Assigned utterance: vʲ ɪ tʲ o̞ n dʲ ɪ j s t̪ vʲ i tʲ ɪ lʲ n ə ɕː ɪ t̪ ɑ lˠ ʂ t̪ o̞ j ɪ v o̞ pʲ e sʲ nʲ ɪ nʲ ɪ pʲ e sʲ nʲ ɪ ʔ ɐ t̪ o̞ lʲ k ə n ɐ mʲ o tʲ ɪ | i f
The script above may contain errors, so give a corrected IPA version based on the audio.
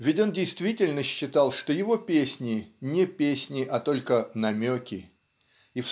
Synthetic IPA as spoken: vʲ ɪ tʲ o̞ n dʲ ɪ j s t̪ vʲ i tʲ ɪ lʲ n ə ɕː ɪ t̪ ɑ lˠ ʂ t̪ o̞ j ɪ v o̞ pʲ e sʲ nʲ ɪ nʲ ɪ pʲ e sʲ nʲ ɪ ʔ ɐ t̪ o̞ lʲ k ə n ɐ mʲ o kʲ ɪ | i f